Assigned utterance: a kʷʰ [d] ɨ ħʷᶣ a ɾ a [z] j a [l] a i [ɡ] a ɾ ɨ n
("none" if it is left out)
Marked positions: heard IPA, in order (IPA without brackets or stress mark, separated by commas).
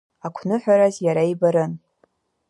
n, z, ɾ, b